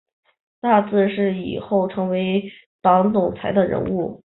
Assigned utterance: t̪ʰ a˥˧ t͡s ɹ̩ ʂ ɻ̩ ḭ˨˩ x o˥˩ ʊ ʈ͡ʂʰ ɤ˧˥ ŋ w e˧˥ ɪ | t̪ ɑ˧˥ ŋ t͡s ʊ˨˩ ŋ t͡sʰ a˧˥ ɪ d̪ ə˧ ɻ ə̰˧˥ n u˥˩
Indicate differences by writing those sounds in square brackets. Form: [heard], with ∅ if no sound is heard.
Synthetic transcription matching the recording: [t̪] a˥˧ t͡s ɹ̩ ʂ ɻ̩ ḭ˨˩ x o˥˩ ʊ ʈ͡ʂʰ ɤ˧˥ ŋ w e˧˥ ɪ | t̪ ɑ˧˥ ŋ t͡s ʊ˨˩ ŋ t͡sʰ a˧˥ ɪ d̪ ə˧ ɻ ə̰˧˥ n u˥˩